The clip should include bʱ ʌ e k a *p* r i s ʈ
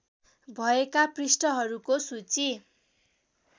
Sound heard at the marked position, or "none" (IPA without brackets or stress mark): p